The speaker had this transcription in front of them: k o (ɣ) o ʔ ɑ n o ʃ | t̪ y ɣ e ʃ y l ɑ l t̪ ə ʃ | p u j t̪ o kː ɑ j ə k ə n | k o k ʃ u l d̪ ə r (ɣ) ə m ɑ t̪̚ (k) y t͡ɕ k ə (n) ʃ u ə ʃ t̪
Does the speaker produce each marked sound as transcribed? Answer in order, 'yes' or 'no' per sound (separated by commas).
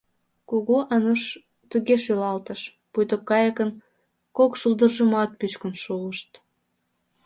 yes, no, no, yes